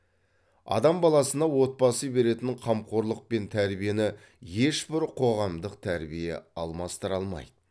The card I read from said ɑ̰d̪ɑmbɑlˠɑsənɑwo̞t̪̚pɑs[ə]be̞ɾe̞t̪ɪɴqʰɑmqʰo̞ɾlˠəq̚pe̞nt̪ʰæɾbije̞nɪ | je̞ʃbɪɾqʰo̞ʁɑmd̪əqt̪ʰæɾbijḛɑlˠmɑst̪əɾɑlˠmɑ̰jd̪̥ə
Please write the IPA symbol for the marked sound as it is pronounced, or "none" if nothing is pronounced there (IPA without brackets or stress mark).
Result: ə